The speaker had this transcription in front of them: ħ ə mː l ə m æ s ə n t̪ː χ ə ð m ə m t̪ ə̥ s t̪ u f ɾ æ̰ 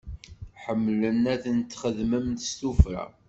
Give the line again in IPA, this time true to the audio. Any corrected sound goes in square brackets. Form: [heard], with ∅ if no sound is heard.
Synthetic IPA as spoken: ħ ə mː l ə [n] æ [θ] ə n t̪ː χ ə ð m ə m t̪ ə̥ s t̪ u f ɾ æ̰